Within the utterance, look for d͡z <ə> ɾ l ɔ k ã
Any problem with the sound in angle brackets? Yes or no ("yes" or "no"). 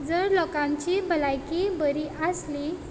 no